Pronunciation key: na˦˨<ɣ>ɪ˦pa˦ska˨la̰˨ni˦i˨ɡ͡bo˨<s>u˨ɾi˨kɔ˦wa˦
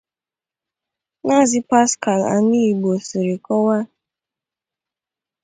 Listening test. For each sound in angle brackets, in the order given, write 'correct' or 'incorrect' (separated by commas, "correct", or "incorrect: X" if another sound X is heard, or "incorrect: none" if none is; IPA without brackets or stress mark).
incorrect: z, correct